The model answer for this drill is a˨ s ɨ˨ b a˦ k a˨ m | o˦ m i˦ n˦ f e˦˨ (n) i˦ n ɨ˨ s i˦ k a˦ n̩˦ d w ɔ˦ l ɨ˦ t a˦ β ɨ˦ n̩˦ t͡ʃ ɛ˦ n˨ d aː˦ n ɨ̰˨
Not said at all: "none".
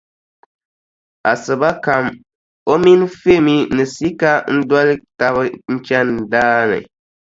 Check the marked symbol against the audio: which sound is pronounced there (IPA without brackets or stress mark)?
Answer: m